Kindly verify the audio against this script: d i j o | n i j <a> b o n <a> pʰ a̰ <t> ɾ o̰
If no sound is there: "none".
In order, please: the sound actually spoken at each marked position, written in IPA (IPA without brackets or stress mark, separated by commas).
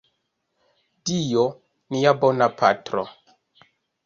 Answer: a, a, t